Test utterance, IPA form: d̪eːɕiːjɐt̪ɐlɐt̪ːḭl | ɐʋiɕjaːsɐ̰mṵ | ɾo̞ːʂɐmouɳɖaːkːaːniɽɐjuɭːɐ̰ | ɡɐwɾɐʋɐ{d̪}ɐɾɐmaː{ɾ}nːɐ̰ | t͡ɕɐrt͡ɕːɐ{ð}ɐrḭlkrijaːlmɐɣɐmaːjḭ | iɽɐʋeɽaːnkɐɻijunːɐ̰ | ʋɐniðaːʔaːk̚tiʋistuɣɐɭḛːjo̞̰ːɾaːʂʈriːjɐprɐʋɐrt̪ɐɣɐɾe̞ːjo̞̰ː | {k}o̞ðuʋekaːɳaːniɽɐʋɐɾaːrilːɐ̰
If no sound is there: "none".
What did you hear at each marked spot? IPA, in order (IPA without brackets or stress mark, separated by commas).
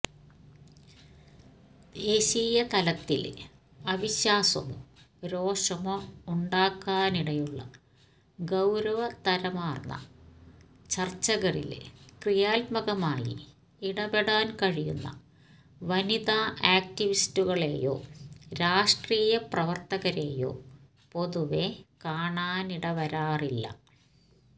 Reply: t̪, r, ɣ, p